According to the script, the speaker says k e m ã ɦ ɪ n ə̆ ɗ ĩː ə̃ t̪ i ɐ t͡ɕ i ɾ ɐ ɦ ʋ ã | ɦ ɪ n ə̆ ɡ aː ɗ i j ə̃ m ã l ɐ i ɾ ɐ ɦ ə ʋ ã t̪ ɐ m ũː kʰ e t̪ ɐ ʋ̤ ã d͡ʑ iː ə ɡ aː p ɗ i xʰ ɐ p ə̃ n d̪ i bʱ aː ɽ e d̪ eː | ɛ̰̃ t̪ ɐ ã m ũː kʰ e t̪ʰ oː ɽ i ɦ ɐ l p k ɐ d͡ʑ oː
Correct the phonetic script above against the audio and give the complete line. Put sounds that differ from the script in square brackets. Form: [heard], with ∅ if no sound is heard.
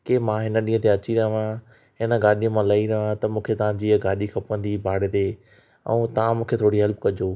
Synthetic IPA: k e m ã ɦ ɪ n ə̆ ɗ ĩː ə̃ t̪ [e] ɐ t͡ɕ i ɾ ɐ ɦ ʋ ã | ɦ ɪ n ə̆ ɡ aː ɗ i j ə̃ m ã l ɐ i ɾ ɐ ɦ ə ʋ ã t̪ ɐ m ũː kʰ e t̪ ɐ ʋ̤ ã d͡ʑ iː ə ɡ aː [∅] ɗ i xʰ ɐ p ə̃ n d̪ i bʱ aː ɽ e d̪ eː | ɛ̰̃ t̪ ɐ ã m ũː kʰ e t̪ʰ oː ɽ i ɦ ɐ l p k ɐ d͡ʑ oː